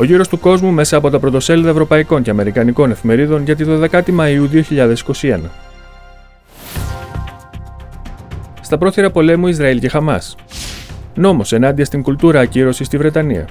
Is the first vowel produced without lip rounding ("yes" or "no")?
no